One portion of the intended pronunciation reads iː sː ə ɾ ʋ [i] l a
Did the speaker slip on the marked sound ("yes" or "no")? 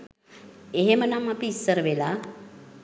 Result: yes